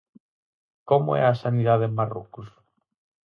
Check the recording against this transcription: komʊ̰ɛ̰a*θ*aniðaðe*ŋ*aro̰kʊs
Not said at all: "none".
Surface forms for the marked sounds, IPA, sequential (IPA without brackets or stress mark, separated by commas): s, m